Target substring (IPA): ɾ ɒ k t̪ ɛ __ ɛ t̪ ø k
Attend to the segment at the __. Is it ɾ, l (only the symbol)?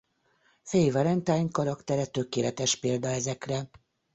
ɾ